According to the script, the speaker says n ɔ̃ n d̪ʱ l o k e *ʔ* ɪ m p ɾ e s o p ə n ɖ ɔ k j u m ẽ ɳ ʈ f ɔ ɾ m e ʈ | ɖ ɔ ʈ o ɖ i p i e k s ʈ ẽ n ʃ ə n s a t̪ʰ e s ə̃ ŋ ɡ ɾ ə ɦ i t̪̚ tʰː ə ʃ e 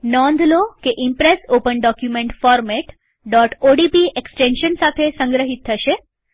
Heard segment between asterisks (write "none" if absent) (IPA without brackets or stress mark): ʔ